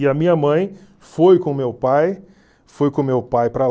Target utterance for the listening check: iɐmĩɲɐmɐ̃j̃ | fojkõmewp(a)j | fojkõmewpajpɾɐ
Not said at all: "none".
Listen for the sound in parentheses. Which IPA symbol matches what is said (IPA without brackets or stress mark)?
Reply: a